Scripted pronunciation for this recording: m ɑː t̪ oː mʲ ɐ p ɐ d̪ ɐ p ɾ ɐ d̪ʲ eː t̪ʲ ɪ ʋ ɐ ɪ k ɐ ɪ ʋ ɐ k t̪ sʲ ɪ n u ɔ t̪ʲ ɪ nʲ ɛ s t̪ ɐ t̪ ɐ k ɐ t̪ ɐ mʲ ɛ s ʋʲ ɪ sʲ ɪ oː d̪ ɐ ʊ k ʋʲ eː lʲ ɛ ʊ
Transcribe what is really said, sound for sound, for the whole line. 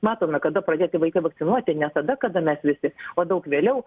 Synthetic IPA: m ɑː t̪ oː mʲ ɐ k ɐ d̪ ɐ p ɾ ɐ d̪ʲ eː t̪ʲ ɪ ʋ ɐ ɪ k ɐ ɪ ʋ ɐ k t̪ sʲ ɪ n u ɔ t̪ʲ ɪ nʲ ɛ s t̪ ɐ d̪ ɐ k ɐ d̪ ɐ mʲ ɛ s ʋʲ ɪ sʲ ɪ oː d̪ ɐ ʊ k ʋʲ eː lʲ ɛ ʊ